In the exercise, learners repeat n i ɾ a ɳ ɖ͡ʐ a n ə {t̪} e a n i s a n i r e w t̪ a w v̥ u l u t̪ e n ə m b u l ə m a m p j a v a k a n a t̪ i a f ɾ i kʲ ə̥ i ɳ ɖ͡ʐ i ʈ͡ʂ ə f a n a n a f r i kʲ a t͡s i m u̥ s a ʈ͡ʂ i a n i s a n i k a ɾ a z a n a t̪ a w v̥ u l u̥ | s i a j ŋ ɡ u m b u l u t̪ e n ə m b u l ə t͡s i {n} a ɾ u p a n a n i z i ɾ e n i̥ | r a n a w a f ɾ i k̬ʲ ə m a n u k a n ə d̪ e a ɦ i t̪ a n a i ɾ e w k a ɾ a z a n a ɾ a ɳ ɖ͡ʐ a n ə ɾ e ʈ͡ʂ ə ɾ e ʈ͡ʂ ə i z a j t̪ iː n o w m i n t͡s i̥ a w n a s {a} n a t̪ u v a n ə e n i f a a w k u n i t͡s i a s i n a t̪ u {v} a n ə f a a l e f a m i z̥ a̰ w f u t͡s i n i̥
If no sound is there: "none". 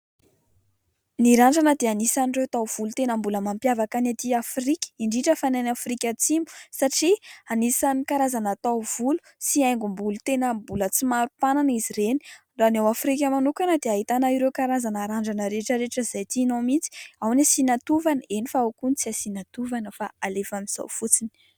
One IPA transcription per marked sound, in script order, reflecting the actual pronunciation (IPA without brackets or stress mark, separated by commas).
d̪, m, i, v